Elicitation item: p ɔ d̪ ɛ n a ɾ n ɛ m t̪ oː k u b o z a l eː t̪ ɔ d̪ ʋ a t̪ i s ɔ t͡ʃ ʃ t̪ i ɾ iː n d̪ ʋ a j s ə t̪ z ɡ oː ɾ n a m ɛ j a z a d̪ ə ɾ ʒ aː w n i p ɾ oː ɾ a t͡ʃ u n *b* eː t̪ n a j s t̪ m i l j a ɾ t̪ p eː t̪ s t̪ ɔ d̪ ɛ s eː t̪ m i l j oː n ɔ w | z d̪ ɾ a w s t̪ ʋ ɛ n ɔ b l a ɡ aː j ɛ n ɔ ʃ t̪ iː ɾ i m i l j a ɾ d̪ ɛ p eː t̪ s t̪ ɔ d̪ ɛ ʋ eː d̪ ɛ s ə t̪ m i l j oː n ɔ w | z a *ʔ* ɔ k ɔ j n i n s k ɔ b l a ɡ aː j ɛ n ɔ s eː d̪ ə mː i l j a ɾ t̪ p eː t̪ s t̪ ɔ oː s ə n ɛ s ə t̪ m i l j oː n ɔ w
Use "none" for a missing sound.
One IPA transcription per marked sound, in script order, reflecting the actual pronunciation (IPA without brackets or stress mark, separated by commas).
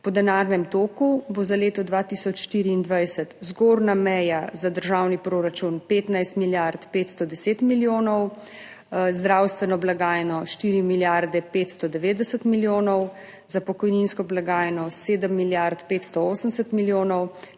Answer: p, p